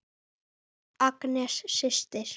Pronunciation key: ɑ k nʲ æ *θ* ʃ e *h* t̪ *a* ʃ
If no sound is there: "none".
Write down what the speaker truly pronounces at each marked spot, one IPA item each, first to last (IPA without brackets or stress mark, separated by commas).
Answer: ʃ, ʃ, e